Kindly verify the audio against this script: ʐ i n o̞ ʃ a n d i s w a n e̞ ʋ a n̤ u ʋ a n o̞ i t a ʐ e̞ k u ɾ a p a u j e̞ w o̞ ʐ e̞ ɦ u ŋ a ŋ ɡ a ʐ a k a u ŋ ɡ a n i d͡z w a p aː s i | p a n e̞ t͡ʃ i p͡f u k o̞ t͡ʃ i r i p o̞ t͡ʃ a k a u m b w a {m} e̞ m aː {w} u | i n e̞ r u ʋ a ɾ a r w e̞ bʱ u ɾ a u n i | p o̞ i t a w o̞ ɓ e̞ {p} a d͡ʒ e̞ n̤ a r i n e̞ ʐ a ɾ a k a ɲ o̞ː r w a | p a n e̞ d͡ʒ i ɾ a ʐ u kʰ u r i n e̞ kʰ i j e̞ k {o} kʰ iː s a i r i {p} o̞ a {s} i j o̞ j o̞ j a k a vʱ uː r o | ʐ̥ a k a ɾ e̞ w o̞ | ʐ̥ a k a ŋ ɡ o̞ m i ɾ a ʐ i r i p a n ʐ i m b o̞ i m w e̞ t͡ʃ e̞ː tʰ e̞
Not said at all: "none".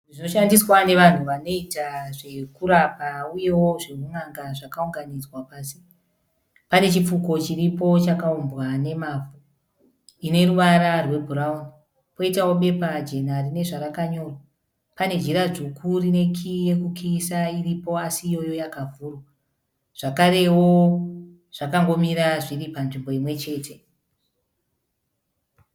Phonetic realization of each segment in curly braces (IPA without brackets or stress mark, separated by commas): n, v, p, u, p, s